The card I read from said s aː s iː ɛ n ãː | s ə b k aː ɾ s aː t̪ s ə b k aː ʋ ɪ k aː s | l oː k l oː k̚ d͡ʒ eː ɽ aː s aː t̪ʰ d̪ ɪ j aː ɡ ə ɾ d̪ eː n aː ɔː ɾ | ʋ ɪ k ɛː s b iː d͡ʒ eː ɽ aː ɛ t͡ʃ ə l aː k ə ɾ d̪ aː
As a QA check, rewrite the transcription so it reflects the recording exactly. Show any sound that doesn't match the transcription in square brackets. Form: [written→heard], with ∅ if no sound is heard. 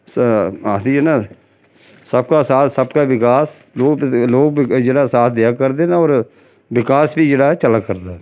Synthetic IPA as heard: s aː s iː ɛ n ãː | s ə b k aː [ɾ→∅] s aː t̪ s ə b k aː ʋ ɪ k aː s | l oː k l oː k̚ d͡ʒ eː ɽ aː s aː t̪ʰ d̪ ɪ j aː [ɡ→k] ə ɾ d̪ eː n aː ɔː ɾ | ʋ ɪ k [ɛː→aː] s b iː d͡ʒ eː ɽ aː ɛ t͡ʃ ə l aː k ə ɾ d̪ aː